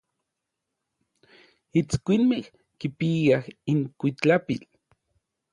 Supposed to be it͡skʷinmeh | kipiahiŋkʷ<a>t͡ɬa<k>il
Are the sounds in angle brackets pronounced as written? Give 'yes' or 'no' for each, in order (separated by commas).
no, no